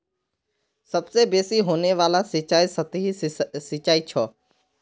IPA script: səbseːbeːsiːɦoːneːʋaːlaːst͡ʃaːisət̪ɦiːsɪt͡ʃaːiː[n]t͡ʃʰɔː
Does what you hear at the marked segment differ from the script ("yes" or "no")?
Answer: yes